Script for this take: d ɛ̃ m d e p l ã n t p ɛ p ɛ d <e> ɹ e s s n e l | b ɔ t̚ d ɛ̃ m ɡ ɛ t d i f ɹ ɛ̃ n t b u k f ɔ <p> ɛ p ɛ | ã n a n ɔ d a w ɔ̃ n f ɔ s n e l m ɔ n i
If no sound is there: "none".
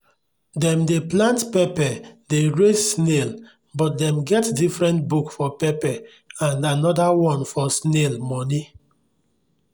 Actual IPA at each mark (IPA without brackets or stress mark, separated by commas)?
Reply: e, p